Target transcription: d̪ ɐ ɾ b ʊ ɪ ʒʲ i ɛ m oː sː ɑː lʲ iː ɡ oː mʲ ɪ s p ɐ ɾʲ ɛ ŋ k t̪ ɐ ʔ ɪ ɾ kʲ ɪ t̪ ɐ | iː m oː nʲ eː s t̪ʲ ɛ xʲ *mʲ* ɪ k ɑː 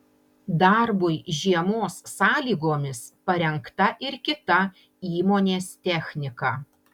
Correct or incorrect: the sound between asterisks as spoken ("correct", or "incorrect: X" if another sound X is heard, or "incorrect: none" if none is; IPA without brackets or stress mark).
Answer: incorrect: nʲ